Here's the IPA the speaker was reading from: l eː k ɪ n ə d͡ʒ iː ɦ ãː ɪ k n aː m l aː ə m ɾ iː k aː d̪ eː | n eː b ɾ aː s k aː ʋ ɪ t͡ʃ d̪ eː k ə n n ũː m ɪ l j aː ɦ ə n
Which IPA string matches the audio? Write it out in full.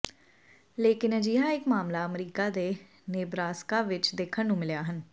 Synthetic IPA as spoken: l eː k ɪ n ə d͡ʒ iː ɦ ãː ɪ k m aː m l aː ə m ɾ iː k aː d̪ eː | n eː b ɾ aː s k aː ʋ ɪ t͡ʃ d̪ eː kʰ ə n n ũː m ɪ l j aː ɦ ə n